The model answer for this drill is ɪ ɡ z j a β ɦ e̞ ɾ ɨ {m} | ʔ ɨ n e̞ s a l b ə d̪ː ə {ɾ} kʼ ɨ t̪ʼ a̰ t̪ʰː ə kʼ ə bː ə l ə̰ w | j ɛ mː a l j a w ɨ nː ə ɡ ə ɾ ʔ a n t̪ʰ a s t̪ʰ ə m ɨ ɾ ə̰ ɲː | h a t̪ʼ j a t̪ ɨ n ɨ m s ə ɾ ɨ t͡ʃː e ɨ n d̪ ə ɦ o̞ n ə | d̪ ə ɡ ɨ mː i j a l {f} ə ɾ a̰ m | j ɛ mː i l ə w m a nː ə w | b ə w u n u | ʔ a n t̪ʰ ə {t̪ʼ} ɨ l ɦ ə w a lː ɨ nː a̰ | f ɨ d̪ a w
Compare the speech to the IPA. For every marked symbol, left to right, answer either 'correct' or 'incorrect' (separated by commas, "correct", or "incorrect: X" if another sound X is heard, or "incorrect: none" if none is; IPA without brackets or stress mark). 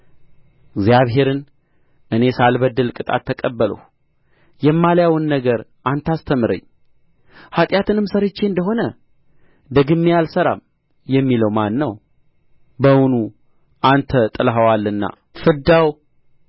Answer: incorrect: n, incorrect: l, incorrect: s, correct